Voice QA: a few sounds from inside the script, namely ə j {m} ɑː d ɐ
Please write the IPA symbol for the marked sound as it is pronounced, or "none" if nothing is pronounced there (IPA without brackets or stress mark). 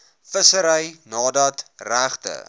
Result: n